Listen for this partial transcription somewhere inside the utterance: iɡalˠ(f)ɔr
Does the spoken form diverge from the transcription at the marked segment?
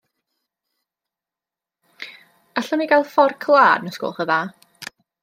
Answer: no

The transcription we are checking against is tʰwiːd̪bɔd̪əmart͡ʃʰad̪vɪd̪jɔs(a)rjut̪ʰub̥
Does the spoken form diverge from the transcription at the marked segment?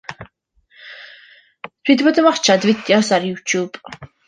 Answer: no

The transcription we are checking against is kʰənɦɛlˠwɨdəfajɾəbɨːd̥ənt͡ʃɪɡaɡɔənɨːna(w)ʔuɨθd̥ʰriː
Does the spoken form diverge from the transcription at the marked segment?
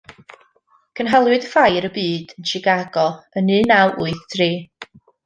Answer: no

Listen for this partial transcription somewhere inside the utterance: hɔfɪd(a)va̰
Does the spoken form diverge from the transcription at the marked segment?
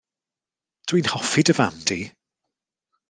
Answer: yes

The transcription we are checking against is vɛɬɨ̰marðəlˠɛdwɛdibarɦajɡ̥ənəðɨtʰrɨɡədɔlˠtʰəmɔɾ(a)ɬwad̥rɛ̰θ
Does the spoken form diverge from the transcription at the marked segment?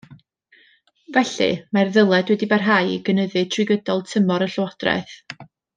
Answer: yes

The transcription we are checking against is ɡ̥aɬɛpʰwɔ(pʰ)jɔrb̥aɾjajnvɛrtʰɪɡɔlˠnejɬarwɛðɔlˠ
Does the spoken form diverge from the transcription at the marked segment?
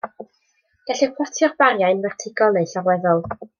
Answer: yes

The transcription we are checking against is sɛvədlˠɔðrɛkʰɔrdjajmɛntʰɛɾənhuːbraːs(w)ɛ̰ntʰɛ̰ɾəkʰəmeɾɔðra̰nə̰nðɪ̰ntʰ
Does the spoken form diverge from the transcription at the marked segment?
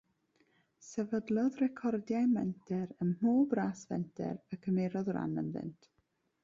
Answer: yes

